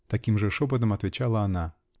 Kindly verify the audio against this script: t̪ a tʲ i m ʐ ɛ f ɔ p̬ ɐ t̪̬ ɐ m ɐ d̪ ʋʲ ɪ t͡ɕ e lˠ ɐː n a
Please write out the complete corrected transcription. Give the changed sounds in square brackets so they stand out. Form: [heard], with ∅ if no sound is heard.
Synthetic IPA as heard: t̪ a [kʲ] i m ʐ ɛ [ʂ] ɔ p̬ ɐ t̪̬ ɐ m ɐ [t̪] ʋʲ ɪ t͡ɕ [a] lˠ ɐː n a